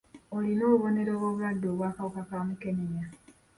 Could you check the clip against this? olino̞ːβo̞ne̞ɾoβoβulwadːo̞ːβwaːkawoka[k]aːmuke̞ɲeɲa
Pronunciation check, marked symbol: correct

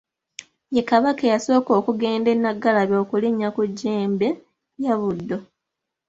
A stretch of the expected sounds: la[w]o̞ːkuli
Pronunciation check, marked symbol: incorrect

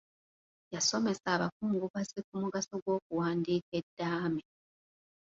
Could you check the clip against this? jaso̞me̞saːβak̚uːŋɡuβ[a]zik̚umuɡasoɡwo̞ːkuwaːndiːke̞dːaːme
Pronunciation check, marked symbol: correct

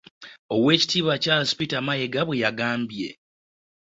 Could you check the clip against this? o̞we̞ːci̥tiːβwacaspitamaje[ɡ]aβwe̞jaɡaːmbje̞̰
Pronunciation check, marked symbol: correct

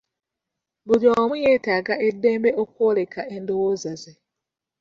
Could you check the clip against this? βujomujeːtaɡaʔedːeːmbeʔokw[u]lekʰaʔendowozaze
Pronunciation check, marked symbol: incorrect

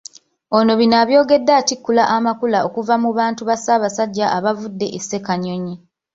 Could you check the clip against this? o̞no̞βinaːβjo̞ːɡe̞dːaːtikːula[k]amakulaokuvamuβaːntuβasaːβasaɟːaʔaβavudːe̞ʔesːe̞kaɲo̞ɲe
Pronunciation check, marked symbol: incorrect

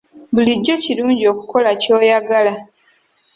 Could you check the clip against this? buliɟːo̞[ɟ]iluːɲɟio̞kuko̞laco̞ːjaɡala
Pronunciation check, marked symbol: incorrect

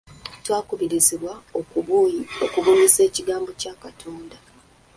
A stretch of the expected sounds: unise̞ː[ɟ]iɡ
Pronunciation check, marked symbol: incorrect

